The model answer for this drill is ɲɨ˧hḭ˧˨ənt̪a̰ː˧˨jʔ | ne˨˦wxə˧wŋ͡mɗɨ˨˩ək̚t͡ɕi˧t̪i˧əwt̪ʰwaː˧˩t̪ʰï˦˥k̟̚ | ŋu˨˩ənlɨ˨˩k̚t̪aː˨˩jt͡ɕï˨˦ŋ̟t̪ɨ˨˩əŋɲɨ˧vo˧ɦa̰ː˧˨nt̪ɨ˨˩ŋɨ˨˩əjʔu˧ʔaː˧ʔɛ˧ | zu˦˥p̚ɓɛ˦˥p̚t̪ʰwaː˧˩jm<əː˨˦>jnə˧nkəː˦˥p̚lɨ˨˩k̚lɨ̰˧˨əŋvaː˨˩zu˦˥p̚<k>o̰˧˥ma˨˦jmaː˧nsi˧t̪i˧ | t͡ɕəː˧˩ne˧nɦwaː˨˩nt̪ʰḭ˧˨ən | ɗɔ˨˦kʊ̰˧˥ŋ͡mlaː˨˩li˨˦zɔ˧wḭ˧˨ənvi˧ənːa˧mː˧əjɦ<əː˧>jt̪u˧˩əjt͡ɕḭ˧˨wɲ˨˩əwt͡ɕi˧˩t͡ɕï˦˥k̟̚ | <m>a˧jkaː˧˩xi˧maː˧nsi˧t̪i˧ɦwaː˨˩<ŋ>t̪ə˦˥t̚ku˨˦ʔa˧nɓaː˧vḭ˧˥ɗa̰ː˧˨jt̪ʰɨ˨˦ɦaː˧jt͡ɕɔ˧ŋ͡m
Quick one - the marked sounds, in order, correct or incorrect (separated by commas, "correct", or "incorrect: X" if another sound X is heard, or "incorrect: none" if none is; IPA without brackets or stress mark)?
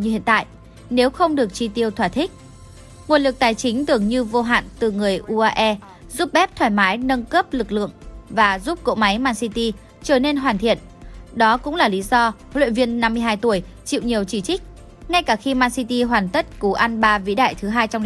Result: incorrect: aː˨˦, correct, incorrect: aː˧, incorrect: ŋ, incorrect: n